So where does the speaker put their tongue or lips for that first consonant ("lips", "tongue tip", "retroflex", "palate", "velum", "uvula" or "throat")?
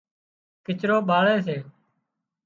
velum